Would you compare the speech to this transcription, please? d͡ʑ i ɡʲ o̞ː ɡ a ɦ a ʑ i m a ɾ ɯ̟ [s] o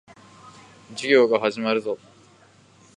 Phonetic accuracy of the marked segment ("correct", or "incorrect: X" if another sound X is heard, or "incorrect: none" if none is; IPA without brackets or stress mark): incorrect: z